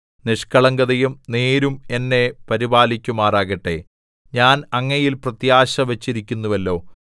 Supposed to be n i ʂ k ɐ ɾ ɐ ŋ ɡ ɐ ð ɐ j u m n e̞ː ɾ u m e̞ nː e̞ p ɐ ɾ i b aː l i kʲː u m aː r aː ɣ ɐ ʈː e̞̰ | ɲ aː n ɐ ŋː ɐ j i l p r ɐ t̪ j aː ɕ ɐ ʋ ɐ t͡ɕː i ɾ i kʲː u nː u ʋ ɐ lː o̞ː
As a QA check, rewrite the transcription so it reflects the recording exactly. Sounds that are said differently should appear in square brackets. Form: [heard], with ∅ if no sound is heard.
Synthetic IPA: n i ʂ k ɐ [ɭ] ɐ ŋ ɡ ɐ ð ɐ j u m n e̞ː ɾ u m e̞ nː e̞ p ɐ ɾ i b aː l i kʲː u m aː r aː ɣ ɐ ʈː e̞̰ | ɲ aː n ɐ ŋː ɐ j i l p r ɐ t̪ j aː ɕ ɐ ʋ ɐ t͡ɕː i ɾ i kʲː u nː u ʋ ɐ lː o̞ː